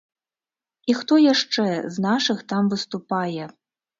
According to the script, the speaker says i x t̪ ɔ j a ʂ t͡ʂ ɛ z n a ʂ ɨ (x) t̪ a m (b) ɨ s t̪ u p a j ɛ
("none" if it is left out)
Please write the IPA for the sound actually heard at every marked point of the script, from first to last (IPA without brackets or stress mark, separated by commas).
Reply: x, v